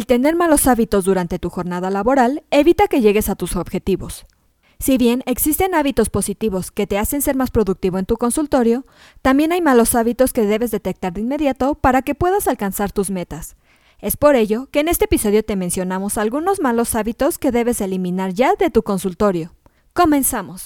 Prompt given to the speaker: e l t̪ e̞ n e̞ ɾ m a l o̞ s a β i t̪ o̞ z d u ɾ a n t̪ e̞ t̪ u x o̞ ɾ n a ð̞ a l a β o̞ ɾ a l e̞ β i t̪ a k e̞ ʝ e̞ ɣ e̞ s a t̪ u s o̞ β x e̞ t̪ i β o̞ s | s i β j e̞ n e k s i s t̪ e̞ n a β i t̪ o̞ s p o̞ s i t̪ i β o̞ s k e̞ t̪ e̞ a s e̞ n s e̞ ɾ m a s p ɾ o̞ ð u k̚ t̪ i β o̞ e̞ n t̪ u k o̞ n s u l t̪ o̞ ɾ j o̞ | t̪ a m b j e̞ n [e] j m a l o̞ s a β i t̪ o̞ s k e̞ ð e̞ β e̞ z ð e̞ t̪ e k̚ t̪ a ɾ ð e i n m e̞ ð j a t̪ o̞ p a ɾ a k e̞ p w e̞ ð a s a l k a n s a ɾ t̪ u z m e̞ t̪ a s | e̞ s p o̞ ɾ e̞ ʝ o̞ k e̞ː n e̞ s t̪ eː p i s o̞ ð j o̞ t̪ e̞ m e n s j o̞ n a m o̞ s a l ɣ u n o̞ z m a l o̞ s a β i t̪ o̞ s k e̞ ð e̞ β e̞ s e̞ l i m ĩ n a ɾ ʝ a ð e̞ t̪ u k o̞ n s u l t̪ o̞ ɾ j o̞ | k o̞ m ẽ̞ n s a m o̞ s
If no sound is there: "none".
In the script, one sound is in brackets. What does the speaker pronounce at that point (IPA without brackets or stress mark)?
a